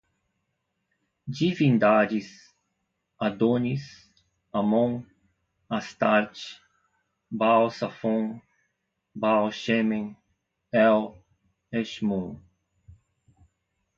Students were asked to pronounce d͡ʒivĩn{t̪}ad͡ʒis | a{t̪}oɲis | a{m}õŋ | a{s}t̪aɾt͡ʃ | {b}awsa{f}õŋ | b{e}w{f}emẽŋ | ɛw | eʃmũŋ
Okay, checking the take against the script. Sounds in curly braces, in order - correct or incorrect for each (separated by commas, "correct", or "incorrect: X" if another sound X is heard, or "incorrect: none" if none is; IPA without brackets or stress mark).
incorrect: d̪, incorrect: d̪, correct, correct, correct, correct, incorrect: a, incorrect: ʃ